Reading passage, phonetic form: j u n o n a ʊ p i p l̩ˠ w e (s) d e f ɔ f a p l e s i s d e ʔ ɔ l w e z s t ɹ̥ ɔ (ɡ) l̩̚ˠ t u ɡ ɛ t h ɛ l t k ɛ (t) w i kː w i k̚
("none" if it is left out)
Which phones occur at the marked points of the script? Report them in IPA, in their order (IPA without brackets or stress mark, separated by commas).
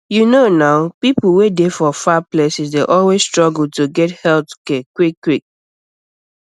none, ɡ, k